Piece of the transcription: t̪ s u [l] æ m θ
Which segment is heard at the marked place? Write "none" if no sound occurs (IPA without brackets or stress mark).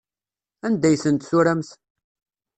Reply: ɾ